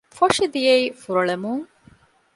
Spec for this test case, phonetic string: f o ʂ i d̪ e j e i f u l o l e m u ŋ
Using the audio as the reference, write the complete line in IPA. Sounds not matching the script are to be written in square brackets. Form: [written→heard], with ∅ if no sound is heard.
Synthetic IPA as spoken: f o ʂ i d̪ [e→i] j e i f u [l→ɾ] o [l→ɭ] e m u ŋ